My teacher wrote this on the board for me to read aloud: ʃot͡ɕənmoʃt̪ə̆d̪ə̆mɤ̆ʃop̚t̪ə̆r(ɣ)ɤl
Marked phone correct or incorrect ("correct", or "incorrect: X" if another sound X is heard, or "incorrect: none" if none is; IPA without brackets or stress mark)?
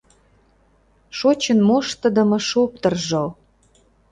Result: incorrect: ʒ